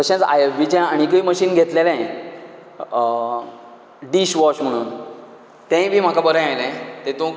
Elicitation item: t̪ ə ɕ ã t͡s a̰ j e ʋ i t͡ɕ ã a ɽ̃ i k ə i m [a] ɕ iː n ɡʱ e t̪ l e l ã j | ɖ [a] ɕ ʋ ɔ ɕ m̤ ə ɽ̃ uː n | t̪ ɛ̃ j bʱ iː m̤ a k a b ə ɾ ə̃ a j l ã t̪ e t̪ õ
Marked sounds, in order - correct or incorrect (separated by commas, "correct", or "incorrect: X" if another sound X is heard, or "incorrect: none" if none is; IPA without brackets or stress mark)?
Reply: incorrect: ə, incorrect: i